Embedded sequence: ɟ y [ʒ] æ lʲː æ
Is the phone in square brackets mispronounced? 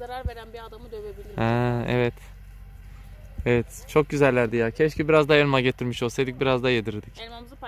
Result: yes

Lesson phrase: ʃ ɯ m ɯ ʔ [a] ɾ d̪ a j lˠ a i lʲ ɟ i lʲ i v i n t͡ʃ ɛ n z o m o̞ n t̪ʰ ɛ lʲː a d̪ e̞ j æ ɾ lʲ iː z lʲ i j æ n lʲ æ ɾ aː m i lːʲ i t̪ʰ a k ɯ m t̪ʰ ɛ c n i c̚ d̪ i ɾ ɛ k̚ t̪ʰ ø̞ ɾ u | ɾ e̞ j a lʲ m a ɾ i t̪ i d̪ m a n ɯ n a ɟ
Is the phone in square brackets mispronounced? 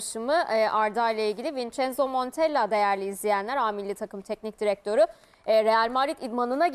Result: no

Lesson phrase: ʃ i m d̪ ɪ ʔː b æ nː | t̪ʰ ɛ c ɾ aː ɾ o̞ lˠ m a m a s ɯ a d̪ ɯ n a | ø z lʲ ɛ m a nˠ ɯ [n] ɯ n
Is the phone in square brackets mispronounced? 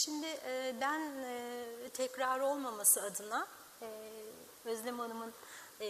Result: yes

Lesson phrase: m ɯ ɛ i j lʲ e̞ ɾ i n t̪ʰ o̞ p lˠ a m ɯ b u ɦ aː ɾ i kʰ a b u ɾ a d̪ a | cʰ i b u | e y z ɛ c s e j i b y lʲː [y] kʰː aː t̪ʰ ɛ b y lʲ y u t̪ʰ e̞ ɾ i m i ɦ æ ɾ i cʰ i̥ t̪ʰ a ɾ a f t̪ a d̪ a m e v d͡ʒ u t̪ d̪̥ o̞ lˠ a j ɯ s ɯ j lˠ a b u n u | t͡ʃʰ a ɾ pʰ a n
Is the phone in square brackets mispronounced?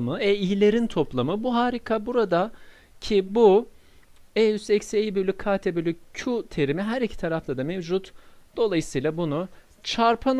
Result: no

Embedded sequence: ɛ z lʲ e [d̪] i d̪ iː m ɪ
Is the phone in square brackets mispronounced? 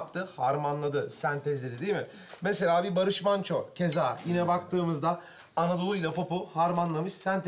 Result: no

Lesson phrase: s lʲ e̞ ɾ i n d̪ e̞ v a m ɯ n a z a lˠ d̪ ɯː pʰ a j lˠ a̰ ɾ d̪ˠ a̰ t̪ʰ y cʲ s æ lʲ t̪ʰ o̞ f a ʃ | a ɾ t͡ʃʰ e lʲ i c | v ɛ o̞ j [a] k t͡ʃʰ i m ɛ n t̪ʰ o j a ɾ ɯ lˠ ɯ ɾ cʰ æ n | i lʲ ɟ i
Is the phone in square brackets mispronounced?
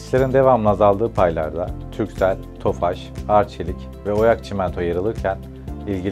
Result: no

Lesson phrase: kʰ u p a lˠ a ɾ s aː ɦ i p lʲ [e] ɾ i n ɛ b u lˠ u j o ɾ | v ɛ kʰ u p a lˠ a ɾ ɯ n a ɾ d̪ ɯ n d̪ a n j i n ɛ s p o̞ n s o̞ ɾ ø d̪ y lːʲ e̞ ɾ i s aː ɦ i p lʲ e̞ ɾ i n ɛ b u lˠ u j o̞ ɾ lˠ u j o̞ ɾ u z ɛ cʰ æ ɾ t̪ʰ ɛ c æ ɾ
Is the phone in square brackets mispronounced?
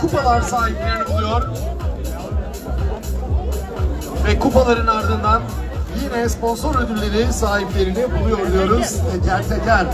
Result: no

